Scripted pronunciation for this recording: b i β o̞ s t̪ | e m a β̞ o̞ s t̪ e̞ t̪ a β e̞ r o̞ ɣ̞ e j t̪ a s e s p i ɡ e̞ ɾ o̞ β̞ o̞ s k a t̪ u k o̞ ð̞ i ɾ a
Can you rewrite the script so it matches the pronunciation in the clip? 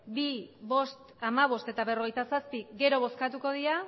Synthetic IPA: b i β o̞ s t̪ | a m a β̞ o̞ s t̪ e̞ t̪ a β e̞ r o̞ ɣ̞ e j t̪ a s a s p i ɡ e̞ ɾ o̞ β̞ o̞ s k a t̪ u k o̞ ð̞ i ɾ a